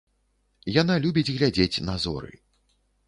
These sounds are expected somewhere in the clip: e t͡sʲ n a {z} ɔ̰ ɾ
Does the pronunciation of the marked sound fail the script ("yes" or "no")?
no